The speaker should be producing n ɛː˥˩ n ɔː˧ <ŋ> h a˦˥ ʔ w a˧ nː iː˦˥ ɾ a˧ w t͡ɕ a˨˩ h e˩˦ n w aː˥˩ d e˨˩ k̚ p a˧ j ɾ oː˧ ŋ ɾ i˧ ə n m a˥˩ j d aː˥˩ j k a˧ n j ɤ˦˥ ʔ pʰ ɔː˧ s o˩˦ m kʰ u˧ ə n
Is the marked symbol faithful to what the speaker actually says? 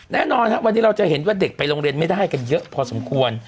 no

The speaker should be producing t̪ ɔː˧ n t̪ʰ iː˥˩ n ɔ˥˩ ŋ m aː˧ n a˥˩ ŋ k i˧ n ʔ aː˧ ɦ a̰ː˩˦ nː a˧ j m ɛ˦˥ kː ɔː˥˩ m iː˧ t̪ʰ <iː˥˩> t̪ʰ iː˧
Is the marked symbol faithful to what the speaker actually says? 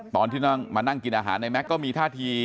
no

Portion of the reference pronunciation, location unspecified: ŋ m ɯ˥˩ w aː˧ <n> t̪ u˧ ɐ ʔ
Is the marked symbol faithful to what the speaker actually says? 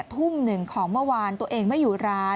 yes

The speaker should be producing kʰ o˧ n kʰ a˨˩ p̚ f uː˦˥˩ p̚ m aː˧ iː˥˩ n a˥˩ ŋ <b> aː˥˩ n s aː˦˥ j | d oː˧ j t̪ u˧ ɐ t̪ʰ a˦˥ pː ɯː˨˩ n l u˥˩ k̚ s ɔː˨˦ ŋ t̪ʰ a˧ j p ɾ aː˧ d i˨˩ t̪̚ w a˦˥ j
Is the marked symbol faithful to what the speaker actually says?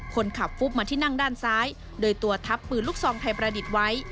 no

